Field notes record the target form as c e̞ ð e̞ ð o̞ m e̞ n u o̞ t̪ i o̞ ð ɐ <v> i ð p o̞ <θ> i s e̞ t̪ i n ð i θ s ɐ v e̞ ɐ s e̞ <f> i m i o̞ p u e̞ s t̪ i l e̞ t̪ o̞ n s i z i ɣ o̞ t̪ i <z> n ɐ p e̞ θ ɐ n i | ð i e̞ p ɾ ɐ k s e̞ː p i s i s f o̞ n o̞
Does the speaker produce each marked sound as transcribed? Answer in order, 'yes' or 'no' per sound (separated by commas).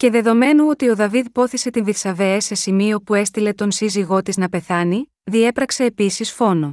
yes, yes, no, yes